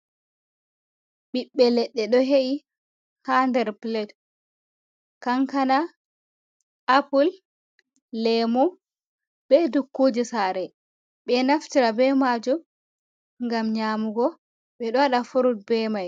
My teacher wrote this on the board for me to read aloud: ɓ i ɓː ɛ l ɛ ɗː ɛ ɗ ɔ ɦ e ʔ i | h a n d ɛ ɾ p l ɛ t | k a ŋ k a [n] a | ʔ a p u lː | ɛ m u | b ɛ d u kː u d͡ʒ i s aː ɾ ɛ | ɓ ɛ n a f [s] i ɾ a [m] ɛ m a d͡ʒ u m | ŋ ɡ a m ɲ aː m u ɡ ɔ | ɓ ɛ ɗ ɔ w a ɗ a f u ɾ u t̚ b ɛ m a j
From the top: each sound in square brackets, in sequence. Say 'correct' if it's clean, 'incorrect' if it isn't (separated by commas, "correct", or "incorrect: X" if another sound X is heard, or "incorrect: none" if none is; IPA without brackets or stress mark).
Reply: correct, incorrect: t, incorrect: b